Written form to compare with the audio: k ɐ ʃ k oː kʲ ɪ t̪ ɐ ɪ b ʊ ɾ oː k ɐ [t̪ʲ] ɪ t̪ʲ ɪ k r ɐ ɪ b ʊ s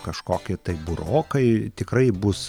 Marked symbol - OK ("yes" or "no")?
no